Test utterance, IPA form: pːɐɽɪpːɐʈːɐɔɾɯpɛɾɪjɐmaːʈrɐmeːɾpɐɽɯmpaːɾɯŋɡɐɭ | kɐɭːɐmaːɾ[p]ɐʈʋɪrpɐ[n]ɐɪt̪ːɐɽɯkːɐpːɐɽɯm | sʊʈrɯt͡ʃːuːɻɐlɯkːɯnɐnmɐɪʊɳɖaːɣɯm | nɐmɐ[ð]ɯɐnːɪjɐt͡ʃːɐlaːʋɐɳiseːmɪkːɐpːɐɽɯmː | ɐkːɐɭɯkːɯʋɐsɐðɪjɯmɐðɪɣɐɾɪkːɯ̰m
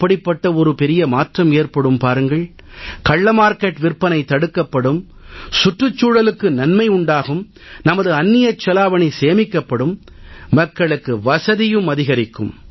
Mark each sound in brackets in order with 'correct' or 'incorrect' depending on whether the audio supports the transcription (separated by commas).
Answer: incorrect, correct, correct